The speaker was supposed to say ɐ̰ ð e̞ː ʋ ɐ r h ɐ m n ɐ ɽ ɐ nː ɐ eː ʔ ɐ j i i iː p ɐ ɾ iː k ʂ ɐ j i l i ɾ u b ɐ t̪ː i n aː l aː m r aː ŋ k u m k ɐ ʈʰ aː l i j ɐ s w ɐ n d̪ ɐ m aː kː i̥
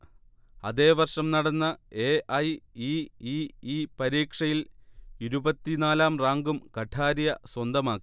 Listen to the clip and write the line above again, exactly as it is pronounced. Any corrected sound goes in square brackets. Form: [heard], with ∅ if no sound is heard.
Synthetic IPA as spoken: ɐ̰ ð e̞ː ʋ ɐ r [ʂ] ɐ m n ɐ ɽ ɐ nː ɐ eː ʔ ɐ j i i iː p ɐ ɾ iː k ʂ ɐ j i l i ɾ u b ɐ t̪ː i n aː l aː m r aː ŋ [ɡ] u m k ɐ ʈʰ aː [ɾ] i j ɐ s w ɐ n d̪ ɐ m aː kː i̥